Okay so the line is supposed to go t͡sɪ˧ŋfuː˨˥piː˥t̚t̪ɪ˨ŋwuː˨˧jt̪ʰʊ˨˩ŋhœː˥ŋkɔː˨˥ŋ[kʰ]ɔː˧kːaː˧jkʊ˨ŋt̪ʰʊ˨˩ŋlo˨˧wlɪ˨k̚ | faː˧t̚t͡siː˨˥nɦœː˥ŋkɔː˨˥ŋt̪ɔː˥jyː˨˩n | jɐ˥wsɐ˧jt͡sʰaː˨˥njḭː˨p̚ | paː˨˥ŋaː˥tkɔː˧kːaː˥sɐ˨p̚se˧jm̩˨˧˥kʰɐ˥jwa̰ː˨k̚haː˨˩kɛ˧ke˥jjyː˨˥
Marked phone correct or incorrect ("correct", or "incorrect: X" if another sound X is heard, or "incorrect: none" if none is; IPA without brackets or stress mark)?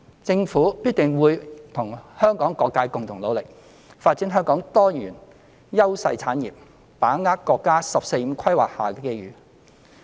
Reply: incorrect: k